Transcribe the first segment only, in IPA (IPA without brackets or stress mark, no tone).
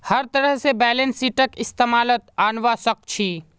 h